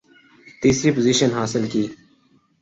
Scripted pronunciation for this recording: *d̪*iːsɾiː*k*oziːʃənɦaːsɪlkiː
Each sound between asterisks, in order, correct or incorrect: incorrect: t̪, incorrect: p

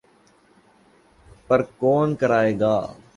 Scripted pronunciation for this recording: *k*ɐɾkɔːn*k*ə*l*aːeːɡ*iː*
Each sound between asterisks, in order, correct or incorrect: incorrect: p, correct, incorrect: ɾ, incorrect: aː

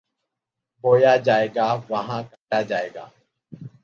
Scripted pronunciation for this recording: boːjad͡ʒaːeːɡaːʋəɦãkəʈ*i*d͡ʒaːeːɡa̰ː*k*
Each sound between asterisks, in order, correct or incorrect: incorrect: a, incorrect: none

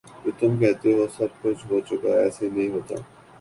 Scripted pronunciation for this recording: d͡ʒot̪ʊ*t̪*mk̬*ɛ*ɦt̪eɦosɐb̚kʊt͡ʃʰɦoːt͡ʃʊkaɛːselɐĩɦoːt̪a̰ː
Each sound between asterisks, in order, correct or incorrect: incorrect: none, correct

